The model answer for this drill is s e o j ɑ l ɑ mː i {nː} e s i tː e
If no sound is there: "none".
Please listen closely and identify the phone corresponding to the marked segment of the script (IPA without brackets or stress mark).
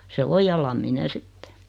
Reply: n